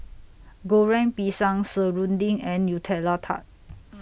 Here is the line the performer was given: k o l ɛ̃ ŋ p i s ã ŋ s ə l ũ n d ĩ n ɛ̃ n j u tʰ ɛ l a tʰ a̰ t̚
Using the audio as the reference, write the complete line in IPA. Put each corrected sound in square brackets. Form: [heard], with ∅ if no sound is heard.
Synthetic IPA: [ɡ] o [ɹ] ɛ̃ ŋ p i s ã ŋ s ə [ɹ] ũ n d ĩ [ŋ] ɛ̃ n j u tʰ ɛ l a tʰ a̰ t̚